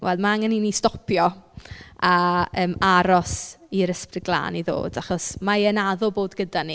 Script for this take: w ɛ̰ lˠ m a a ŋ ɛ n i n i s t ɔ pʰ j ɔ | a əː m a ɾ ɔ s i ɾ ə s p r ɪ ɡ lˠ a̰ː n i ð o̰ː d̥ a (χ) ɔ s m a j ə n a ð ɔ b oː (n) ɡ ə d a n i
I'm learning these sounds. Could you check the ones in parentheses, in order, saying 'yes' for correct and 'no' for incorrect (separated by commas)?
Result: yes, no